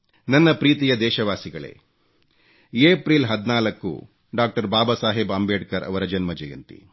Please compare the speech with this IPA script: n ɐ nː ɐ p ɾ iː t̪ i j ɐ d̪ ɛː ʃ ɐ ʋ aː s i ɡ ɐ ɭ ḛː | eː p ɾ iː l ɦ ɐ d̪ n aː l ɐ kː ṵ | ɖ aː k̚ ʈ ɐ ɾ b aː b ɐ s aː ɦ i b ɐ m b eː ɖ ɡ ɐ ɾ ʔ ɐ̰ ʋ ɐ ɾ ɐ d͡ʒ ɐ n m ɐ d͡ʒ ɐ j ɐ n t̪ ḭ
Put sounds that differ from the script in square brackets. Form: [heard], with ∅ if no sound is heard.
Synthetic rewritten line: n ɐ nː ɐ p ɾ iː t̪ i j ɐ d̪ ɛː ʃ ɐ ʋ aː s i ɡ ɐ ɭ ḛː | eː p ɾ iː l ɦ ɐ d̪ n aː l ɐ kː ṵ | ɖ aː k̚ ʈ ɐ ɾ b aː b ɐ s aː ɦ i b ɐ m b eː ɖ [k] ɐ ɾ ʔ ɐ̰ ʋ ɐ ɾ ɐ d͡ʒ ɐ n m ɐ d͡ʒ ɐ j ɐ n t̪ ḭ

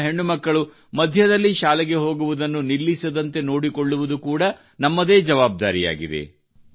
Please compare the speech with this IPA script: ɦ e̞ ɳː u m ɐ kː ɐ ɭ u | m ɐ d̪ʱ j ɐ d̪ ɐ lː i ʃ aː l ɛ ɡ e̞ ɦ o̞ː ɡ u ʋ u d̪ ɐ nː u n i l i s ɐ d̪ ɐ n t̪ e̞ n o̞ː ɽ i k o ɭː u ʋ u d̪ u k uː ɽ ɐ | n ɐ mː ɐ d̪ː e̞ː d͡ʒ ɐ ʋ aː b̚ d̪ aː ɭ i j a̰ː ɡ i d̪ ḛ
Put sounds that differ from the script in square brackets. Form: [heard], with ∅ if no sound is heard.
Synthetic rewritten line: ɦ e̞ ɳː u m ɐ kː ɐ ɭ u | m ɐ d̪ʱ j ɐ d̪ ɐ lː i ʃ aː l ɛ ɡ e̞ ɦ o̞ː ɡ u ʋ u d̪ ɐ nː u n i [lː] i s ɐ d̪ ɐ n t̪ e̞ n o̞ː ɽ i k o ɭː u ʋ u d̪ u k uː ɽ ɐ | n ɐ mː ɐ [d̪] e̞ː d͡ʒ ɐ ʋ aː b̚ d̪ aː [ɾ] i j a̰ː ɡ i d̪ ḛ

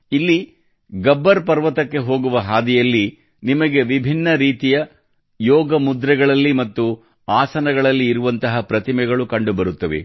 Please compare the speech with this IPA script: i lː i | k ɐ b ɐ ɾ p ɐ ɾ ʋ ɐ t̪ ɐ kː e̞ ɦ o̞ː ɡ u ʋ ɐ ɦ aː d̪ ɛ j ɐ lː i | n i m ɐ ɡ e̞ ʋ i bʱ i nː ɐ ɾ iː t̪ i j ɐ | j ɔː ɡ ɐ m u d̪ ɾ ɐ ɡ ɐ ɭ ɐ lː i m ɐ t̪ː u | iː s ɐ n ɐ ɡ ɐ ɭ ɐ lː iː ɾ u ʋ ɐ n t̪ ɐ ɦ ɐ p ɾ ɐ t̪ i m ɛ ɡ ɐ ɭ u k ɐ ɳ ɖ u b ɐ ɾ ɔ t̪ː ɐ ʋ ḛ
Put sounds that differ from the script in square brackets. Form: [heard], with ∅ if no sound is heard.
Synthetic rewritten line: i lː i | [ɡ] ɐ [bː] ɐ ɾ p ɐ ɾ ʋ ɐ t̪ ɐ kː e̞ ɦ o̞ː ɡ u ʋ ɐ ɦ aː d̪ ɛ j ɐ lː i | n i m ɐ ɡ e̞ ʋ i bʱ i nː ɐ ɾ iː t̪ i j ɐ | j ɔː ɡ ɐ m u d̪ ɾ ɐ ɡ ɐ ɭ ɐ lː i m ɐ t̪ː u | [aː] s ɐ n ɐ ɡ ɐ ɭ ɐ lː iː ɾ u ʋ ɐ n t̪ ɐ ɦ ɐ p ɾ ɐ t̪ i m ɛ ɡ ɐ ɭ u k ɐ ɳ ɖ u b ɐ ɾ [u] t̪ː ɐ ʋ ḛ

